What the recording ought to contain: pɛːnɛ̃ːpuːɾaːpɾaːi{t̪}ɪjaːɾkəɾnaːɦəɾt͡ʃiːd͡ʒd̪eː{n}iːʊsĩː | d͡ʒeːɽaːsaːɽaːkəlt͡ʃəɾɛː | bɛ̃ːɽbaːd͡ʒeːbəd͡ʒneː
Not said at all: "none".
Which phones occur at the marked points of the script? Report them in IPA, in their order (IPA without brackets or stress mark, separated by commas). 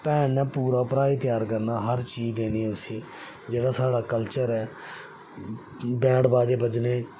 t̪, n